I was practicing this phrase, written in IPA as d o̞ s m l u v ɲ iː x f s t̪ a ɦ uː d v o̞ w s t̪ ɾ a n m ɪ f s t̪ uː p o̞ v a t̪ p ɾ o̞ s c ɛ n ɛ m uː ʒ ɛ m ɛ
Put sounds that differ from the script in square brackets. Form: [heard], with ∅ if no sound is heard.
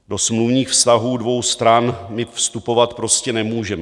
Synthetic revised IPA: d o̞ s m l u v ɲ iː x f s t̪ a ɦ uː d v o̞ w s t̪ ɾ a n m ɪ f s t̪ [u] p o̞ v a t̪ p ɾ o̞ s c ɛ n ɛ m uː ʒ ɛ m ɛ